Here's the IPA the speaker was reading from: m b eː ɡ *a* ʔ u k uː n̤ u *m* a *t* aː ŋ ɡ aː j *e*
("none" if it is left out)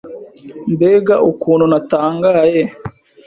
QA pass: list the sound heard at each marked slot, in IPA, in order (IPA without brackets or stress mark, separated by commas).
a, n, t, e